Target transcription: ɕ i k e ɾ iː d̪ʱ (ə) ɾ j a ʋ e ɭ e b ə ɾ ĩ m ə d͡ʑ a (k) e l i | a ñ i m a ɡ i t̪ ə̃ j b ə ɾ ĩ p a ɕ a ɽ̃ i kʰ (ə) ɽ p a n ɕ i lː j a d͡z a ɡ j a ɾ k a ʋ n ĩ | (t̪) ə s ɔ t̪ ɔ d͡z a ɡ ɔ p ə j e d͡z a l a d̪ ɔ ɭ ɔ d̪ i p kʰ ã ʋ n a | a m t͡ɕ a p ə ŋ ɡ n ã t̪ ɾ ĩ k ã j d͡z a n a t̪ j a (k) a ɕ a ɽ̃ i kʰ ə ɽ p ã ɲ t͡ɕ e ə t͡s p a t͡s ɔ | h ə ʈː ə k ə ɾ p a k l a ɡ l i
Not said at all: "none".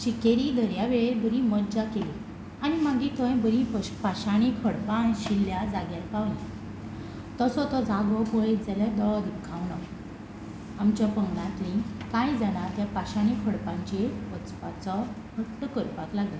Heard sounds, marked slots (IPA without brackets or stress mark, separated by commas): ə, k, ə, t̪, p